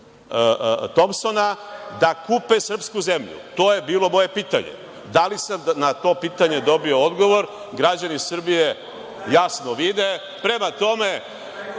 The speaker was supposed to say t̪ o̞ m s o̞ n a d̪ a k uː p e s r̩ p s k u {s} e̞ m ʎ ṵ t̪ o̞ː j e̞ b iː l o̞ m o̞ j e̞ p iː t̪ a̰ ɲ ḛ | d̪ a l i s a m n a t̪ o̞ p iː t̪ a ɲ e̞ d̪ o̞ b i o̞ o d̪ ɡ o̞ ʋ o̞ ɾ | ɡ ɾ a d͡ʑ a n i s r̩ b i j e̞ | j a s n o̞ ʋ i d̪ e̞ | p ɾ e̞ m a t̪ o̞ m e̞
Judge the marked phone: incorrect: z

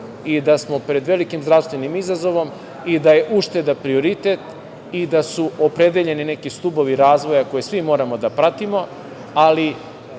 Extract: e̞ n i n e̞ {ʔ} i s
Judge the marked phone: incorrect: k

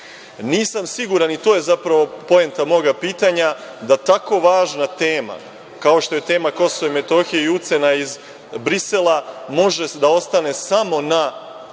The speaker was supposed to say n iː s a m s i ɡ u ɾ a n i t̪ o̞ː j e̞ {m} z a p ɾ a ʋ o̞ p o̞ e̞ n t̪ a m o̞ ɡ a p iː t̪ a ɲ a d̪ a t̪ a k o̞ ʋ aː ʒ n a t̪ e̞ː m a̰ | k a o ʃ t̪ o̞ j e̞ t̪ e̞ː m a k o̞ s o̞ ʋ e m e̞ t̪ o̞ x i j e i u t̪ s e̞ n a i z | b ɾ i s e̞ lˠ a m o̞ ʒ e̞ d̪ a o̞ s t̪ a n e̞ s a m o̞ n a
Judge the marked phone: incorrect: none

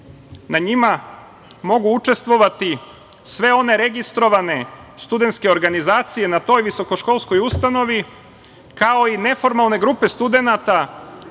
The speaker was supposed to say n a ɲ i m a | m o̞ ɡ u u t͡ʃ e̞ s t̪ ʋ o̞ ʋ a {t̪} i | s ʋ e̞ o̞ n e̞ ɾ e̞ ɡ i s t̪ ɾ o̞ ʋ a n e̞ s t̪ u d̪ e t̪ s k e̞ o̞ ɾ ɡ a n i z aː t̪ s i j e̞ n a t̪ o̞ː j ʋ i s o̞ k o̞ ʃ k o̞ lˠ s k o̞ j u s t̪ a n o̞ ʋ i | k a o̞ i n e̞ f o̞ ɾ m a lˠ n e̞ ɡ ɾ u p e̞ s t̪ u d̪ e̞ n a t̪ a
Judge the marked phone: correct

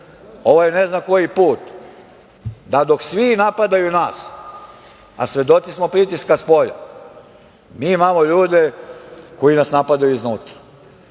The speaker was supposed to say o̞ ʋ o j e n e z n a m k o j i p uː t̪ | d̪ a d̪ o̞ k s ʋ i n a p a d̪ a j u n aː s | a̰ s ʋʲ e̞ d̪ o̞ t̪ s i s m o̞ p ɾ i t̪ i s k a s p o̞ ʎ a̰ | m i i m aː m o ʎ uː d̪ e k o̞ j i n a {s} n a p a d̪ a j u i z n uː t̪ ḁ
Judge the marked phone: correct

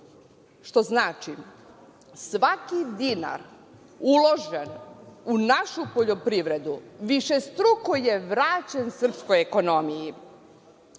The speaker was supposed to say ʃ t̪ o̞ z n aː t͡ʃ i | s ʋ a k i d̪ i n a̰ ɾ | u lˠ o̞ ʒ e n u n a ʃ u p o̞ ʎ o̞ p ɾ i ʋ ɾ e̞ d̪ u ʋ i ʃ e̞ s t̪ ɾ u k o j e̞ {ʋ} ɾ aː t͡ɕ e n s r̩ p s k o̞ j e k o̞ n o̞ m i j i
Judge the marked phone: correct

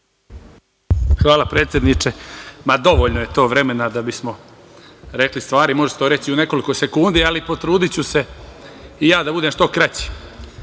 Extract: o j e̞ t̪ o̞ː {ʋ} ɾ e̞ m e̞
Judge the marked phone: correct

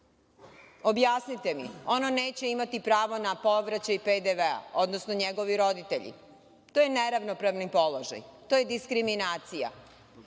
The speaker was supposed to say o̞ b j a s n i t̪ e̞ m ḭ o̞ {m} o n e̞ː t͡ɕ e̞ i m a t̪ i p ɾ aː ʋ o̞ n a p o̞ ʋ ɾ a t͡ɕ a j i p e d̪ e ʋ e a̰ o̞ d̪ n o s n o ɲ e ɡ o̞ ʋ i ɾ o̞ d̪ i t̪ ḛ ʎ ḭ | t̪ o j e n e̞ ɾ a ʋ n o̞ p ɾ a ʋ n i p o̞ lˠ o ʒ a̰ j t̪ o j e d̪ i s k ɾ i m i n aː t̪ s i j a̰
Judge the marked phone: incorrect: n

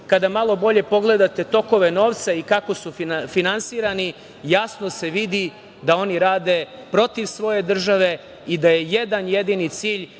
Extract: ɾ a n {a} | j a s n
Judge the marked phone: incorrect: i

